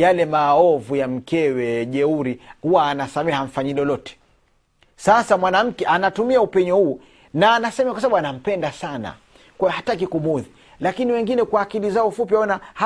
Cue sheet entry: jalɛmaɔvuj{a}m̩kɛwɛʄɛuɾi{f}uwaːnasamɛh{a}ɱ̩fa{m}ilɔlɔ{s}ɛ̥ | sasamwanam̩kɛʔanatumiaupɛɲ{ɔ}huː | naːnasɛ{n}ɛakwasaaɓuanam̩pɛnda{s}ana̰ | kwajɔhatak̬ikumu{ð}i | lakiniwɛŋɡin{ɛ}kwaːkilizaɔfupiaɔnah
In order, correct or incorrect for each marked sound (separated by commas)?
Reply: correct, incorrect, correct, incorrect, incorrect, correct, incorrect, correct, correct, correct